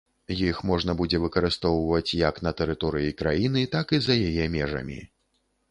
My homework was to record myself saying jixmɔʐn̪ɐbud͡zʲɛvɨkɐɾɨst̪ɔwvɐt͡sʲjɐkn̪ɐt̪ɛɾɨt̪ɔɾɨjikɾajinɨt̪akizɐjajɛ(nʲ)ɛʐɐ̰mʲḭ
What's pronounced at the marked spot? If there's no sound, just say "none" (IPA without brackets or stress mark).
mʲ